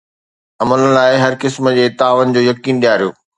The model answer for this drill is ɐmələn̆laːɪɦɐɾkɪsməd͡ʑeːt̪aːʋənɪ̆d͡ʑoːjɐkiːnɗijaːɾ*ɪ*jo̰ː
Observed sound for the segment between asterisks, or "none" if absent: i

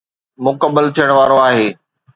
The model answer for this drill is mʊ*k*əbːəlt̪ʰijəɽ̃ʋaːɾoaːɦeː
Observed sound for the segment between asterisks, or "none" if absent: k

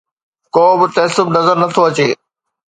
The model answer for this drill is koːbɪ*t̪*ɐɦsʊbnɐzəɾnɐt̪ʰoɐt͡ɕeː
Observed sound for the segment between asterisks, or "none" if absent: t̪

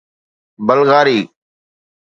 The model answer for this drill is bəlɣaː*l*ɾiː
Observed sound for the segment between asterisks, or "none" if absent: none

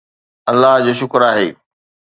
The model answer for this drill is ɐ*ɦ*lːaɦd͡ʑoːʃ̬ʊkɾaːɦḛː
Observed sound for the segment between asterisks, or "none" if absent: none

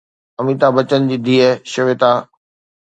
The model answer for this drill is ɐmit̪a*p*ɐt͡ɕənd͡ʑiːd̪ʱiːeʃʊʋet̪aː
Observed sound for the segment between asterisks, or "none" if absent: b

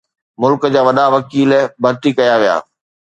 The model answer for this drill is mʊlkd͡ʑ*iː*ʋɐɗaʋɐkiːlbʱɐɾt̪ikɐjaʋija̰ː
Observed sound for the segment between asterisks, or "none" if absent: aː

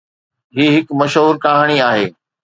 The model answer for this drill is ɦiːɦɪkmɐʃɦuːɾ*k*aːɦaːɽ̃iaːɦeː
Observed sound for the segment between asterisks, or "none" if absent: k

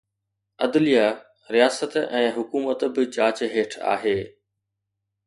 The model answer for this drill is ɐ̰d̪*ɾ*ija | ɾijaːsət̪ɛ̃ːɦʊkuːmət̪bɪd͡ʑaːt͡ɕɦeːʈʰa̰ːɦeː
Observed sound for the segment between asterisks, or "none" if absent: l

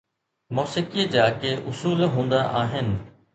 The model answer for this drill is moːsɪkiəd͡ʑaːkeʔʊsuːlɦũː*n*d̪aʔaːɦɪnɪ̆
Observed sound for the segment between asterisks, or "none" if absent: n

